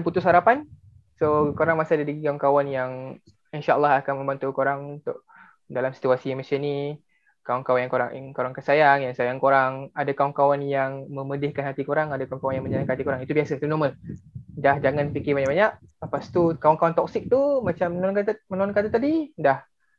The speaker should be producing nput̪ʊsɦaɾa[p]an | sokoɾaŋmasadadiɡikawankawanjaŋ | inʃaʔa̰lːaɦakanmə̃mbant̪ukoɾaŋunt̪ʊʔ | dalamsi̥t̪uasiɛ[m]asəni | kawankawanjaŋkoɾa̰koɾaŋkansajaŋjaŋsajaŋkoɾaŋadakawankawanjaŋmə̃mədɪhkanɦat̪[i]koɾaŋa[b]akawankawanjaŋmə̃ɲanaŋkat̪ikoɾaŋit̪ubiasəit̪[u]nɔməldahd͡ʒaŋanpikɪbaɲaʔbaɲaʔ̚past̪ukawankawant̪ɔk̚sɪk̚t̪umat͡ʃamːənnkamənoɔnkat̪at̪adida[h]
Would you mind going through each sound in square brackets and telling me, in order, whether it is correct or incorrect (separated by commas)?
correct, correct, correct, incorrect, correct, correct